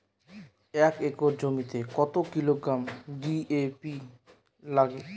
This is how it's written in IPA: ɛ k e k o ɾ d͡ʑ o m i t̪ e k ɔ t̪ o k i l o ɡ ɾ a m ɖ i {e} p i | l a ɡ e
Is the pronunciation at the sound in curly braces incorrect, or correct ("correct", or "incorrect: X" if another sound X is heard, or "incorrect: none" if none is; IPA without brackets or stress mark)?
correct